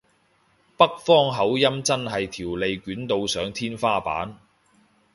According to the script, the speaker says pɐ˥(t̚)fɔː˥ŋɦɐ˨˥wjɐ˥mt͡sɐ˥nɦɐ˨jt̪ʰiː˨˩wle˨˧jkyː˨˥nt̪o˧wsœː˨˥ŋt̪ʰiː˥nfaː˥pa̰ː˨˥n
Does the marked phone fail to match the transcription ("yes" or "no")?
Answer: yes